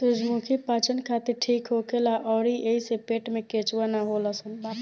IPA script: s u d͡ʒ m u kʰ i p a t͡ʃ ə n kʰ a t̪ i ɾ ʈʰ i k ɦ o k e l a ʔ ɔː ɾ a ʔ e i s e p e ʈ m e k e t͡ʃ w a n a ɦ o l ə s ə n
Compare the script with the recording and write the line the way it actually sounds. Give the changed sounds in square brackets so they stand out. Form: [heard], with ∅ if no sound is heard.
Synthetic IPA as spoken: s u d͡ʒ m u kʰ i p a t͡ʃ ə n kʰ a t̪ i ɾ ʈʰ i k ɦ o k e l a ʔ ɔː ɾ [i] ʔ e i s e p e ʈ m e k e t͡ʃ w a n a ɦ o l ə s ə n